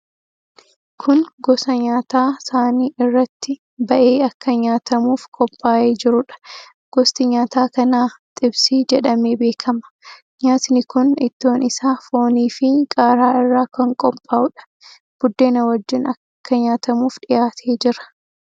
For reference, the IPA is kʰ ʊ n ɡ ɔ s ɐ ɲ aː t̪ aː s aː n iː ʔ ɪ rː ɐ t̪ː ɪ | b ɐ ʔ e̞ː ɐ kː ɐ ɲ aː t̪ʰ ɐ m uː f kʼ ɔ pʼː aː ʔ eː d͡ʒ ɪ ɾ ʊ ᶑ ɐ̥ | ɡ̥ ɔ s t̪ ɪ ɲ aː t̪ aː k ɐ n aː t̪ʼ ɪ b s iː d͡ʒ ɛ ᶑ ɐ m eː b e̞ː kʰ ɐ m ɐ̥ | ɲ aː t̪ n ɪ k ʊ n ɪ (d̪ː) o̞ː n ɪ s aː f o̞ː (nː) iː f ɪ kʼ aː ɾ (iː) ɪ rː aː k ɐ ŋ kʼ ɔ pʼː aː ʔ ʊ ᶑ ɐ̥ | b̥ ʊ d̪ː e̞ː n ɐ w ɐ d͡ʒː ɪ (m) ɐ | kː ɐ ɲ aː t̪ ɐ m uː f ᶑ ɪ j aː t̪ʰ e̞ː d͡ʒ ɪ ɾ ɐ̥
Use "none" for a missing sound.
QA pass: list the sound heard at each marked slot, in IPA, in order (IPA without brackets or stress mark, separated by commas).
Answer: t̪ː, n, aː, n